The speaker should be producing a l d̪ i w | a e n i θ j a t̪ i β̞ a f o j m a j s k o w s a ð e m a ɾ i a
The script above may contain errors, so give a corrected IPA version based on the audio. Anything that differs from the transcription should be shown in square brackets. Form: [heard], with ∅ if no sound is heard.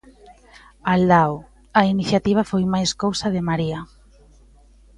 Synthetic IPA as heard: a l d̪ [a] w | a [i] n i θ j a t̪ i β̞ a f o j m a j s k o w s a ð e m a ɾ i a

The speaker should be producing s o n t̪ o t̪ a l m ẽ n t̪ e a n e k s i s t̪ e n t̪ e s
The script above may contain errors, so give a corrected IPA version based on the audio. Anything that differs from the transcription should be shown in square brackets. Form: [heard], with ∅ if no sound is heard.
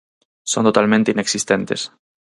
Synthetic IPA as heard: s o n t̪ o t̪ a l m ẽ n t̪ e [i] n e k s i s t̪ e n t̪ e s

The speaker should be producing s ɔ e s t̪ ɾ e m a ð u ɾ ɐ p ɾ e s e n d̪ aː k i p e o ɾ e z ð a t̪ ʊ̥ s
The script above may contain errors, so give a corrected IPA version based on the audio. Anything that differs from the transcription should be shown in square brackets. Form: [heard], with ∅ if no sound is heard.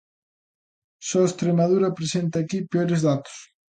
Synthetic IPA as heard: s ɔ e s t̪ ɾ e m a ð u ɾ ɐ p ɾ e s e n [t̪] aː k i p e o ɾ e z ð a t̪ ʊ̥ s

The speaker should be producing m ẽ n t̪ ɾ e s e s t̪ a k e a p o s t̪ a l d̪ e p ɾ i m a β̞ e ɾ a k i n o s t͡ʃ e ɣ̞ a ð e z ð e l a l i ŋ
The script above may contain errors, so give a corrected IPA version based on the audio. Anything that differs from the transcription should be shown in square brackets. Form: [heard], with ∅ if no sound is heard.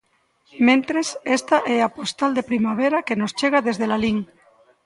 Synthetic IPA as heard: m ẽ n t̪ ɾ e s e s t̪ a [ʔ] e a p o s t̪ a l d̪ e p ɾ i m a β̞ e ɾ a k [e] n o s t͡ʃ e ɣ̞ a ð e z ð e l a l i ŋ

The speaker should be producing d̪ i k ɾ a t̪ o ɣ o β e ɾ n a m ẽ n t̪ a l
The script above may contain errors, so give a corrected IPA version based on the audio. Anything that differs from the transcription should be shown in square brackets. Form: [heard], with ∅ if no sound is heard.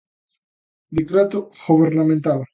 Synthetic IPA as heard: d̪ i k ɾ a t̪ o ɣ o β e ɾ n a m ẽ n t̪ a l

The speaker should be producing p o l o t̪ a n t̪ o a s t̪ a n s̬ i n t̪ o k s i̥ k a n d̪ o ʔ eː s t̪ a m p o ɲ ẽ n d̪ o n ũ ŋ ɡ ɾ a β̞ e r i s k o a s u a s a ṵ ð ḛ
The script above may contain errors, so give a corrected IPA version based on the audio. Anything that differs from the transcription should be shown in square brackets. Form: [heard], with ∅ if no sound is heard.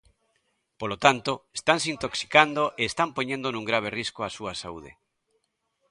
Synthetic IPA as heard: p o l o t̪ a n t̪ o [e] s t̪ a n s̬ i n t̪ o k s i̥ k a n d̪ o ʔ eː s t̪ a m p o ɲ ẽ n d̪ o n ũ ŋ ɡ ɾ a β̞ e r i s k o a s u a s a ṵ ð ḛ

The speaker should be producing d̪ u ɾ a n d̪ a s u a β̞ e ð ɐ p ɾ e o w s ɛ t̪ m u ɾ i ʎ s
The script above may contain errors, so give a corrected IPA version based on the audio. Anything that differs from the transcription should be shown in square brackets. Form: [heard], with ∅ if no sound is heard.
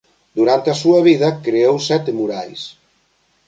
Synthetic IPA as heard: d̪ u ɾ a n [t̪] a s u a β̞ [i] ð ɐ [k] ɾ e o w s ɛ t̪ m u ɾ [a] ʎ s

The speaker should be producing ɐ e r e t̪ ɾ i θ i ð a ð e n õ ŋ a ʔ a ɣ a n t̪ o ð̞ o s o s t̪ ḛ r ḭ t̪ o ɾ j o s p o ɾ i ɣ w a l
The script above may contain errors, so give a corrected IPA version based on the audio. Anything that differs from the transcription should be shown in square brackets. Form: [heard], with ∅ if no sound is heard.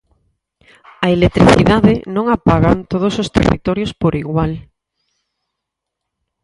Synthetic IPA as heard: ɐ e [l] e t̪ ɾ i θ i ð a ð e n õ ŋ a [p] a ɣ a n t̪ o ð̞ o s o s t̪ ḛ r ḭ t̪ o ɾ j o s p o ɾ i ɣ w a l

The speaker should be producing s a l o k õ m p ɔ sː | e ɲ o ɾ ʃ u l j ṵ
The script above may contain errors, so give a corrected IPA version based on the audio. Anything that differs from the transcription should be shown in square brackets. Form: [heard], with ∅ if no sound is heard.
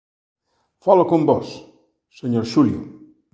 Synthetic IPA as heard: [f] a l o k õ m [b] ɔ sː | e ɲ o ɾ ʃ u l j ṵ

